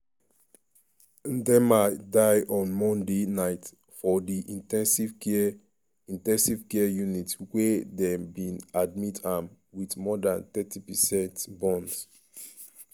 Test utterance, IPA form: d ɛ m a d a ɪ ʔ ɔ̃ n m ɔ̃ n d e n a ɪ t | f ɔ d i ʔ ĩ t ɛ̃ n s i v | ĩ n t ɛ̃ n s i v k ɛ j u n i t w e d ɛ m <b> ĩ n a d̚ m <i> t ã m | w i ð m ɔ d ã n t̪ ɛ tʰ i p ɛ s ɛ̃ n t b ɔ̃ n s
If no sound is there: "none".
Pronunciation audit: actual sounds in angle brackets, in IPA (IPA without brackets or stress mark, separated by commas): b, i